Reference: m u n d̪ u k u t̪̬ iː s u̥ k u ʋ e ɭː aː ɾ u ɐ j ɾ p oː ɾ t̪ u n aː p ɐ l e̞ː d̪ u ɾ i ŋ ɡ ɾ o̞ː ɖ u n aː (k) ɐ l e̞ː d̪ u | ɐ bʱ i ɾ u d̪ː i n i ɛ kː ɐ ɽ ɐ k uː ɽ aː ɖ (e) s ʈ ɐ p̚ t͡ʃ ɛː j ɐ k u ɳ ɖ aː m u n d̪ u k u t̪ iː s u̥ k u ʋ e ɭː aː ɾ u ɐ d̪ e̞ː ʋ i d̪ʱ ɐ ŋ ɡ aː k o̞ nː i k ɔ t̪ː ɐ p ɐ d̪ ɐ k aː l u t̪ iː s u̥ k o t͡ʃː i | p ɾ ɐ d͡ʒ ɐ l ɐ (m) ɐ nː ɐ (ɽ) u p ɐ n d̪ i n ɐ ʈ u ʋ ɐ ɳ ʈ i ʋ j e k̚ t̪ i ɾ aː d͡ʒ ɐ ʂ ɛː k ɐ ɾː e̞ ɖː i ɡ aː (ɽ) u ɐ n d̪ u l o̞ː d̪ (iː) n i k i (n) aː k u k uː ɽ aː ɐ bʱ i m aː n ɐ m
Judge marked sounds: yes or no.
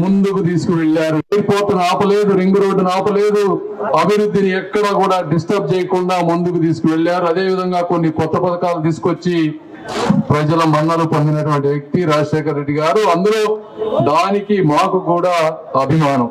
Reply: no, no, yes, no, no, no, no

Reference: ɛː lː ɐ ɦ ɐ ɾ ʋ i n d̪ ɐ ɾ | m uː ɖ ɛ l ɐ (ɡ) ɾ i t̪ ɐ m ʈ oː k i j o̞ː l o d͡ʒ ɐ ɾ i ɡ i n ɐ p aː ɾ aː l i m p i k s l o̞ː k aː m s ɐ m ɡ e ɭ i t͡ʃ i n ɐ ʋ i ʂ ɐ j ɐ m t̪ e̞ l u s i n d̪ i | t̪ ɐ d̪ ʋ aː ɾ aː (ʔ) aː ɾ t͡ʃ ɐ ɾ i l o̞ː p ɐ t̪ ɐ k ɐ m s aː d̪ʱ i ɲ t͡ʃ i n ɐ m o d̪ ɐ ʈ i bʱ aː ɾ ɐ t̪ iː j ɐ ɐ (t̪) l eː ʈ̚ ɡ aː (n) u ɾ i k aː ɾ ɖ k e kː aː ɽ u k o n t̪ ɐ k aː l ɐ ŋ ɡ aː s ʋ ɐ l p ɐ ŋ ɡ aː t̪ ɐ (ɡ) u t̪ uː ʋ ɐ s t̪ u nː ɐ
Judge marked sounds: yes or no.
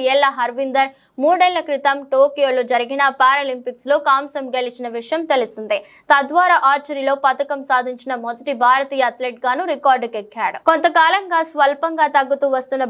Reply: no, yes, yes, yes, no

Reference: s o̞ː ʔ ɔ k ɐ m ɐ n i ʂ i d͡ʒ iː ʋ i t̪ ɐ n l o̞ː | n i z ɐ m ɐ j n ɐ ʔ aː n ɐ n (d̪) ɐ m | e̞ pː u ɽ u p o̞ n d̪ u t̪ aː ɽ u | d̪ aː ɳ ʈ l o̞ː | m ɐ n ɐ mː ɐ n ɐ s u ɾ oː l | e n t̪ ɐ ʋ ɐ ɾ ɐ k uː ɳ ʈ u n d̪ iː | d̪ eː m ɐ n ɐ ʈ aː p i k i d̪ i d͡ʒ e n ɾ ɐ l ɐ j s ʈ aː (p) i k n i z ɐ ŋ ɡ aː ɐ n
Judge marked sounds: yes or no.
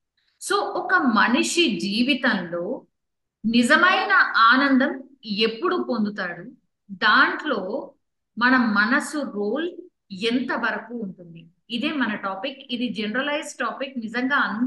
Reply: yes, yes

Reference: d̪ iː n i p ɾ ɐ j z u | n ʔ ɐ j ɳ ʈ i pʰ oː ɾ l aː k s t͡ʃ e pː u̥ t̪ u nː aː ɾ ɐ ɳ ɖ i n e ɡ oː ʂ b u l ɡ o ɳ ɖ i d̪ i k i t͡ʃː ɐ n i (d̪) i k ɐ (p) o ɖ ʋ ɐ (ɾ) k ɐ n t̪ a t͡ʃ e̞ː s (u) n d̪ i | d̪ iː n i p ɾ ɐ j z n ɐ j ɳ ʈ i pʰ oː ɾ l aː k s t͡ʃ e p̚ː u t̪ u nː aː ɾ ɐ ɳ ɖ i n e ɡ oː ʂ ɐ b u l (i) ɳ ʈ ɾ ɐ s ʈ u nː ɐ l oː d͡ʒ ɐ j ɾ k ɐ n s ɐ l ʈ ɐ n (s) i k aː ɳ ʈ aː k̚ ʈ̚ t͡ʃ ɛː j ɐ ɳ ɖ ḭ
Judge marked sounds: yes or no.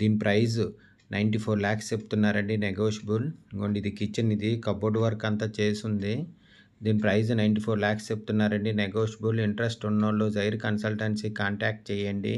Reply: yes, no, yes, yes, yes, yes

